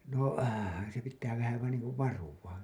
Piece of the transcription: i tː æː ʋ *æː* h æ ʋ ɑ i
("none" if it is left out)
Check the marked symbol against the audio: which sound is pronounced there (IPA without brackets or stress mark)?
æ